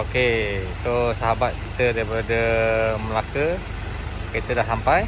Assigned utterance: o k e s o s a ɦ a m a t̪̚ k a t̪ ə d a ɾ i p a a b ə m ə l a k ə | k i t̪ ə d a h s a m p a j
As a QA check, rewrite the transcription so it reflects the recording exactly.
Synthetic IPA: o k e s o s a ɦ a b a t̪̚ k i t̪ ə d a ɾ i p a a d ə m ə l a k ə | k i t̪ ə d a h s a m p a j

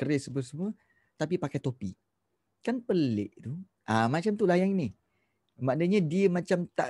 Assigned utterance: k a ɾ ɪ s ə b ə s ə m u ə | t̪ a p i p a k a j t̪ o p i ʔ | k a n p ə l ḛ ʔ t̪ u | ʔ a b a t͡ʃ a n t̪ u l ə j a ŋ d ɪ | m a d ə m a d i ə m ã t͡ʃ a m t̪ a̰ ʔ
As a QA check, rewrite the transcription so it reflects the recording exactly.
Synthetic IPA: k ə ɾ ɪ s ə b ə s ə m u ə | t̪ a p i p a k a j t̪ o p i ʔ | k a n p ə l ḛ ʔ t̪ u | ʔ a m a t͡ʃ a m t̪ u l a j a ŋ n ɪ | m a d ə ɲ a d i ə m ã t͡ʃ a m t̪ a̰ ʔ

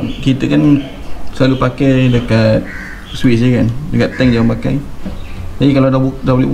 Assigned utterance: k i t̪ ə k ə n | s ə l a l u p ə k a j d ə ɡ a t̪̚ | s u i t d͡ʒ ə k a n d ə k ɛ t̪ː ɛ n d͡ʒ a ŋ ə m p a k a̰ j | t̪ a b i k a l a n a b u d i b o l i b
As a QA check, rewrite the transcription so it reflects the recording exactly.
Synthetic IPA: k i t̪ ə k a n | s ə l a l u p a k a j d ə k a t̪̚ | s w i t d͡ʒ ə k a n d ə k a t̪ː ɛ ŋ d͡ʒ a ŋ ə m p a k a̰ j | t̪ a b i k a l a d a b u d a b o l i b

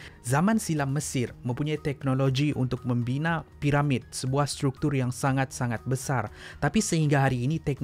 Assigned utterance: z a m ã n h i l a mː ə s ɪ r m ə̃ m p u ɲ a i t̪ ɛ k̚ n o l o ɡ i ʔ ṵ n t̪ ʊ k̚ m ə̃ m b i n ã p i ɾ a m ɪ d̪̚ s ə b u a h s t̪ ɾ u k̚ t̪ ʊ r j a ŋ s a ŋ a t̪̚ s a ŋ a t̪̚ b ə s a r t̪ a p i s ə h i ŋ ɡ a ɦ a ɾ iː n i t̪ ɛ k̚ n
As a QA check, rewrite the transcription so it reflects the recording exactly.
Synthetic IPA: z a m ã n s i l a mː ə s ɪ r m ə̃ m p u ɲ a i t̪ ɛ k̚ n o l o ɡ i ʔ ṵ n t̪ ʊ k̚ m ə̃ m b i n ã p i ɾ a m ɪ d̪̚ s ə b u a h s t̪ ɾ u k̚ t̪ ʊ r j a ŋ s a ŋ a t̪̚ s a ŋ a t̪̚ b ə s a r t̪ a p i s ə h i ŋ ɡ a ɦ a ɾ iː n i t̪ ɛ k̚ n

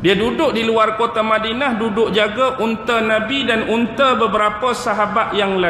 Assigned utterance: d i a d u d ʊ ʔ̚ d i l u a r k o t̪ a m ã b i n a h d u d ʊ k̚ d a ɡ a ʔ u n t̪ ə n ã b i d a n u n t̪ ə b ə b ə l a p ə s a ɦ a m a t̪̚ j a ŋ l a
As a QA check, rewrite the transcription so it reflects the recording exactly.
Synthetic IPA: d i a d u d ʊ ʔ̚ d i l u a r k o t̪ a m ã d i n a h d u d ʊ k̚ d͡ʒ a ɡ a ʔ u n t̪ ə n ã b i d a n u n t̪ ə b ə b ə ɾ a p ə s a ɦ a b a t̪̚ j a ŋ l a

